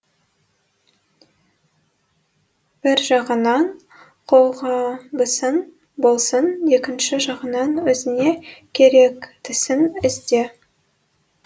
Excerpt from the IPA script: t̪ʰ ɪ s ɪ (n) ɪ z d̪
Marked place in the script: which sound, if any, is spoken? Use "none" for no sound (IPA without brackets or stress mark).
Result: n